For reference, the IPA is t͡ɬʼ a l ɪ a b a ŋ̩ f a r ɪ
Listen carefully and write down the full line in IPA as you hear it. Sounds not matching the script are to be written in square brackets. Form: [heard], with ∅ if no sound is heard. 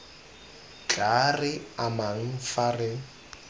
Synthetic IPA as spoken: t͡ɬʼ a [r] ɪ a [m] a ŋ̩ f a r ɪ